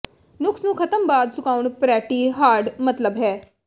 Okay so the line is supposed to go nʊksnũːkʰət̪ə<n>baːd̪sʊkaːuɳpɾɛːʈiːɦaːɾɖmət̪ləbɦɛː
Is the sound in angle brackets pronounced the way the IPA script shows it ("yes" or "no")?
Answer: no